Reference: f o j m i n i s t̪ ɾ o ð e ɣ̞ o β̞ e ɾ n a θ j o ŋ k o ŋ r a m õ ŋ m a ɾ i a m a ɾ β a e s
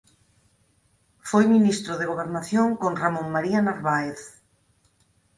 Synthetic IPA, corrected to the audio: f o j m i n i s t̪ ɾ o ð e ɣ̞ o β̞ e ɾ n a θ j o ŋ k o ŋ r a m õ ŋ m a ɾ i a n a ɾ β a e θ